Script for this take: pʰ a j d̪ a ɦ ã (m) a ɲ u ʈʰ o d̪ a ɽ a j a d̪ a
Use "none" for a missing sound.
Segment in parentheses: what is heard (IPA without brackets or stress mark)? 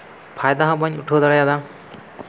b